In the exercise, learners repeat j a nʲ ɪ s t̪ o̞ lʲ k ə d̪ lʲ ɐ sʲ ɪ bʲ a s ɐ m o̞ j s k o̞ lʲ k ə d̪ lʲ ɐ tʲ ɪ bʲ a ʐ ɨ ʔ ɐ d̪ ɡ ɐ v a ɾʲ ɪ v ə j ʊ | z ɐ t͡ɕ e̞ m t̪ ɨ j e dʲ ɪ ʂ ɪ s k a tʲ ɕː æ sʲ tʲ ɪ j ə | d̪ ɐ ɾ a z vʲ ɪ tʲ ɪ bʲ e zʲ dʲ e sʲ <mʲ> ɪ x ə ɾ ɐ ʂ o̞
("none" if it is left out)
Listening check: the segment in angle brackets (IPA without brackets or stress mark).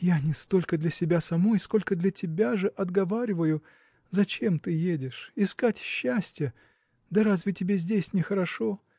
nʲ